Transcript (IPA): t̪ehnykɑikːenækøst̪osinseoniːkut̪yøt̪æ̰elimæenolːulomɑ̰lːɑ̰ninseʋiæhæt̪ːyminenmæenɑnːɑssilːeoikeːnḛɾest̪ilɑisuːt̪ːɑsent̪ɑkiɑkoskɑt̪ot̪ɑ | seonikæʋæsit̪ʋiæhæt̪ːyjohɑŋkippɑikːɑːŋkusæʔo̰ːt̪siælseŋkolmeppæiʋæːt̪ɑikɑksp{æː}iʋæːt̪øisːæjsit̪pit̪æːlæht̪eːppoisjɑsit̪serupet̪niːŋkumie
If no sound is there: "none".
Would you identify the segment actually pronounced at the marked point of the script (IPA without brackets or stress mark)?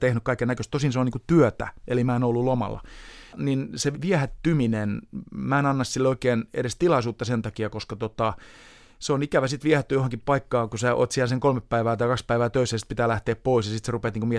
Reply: æ